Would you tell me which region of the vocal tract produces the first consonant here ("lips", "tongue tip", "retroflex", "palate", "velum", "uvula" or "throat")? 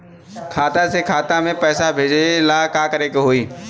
velum